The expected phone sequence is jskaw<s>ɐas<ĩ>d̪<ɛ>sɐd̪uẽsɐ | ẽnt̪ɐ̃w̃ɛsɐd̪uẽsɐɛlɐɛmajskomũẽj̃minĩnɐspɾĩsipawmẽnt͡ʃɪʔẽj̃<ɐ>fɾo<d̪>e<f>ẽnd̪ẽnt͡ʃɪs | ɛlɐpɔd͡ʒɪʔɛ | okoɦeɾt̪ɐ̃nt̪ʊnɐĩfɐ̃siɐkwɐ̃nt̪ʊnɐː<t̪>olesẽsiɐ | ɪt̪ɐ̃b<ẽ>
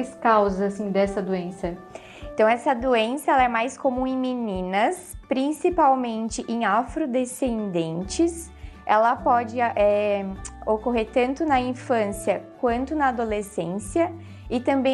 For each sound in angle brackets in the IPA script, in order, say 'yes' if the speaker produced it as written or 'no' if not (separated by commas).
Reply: no, yes, yes, no, yes, no, no, yes